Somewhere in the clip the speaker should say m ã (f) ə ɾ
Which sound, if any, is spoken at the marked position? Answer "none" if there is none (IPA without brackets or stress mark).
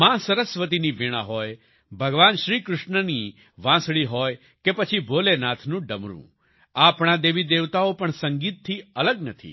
s